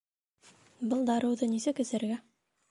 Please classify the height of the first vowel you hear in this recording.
mid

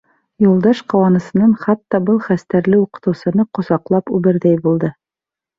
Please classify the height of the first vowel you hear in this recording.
high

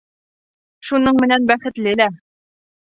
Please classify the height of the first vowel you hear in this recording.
high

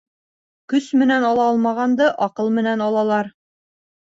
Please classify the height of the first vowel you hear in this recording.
mid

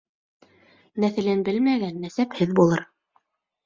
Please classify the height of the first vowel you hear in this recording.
low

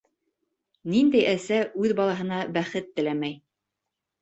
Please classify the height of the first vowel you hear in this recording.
high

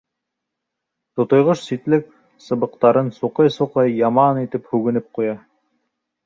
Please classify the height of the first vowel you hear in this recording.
mid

